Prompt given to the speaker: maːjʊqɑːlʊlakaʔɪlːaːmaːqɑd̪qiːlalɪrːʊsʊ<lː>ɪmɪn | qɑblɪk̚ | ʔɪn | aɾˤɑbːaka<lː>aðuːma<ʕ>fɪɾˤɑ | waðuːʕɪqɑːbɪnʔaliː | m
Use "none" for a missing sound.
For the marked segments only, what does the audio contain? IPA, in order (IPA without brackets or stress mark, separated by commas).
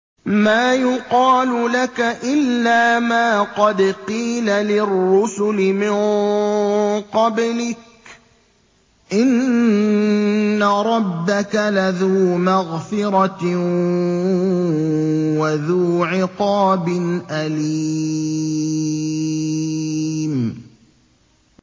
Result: l, l, ɣ